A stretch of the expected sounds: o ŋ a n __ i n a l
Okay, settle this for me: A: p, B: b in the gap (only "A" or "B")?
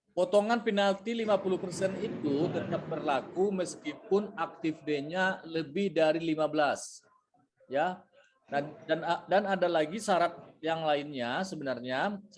A